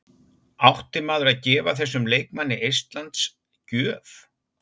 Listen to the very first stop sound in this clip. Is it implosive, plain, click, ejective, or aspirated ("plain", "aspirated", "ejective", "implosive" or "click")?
plain